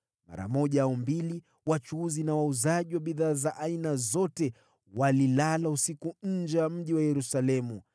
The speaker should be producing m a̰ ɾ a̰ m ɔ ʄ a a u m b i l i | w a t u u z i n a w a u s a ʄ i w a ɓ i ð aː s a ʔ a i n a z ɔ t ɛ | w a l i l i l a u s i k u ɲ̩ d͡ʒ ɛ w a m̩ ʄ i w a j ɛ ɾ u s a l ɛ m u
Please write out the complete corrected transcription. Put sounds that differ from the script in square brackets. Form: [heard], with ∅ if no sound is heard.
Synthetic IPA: m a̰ ɾ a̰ m ɔ ʄ a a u m b i l i | w a [t͡ʃ] u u z i n a w a u [z] a ʄ i w a ɓ i ð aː [z] a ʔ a i n a z ɔ t ɛ | w a l i l [a] l a u s i k u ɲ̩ d͡ʒ ɛ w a m̩ ʄ i w a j ɛ ɾ u s a l ɛ m u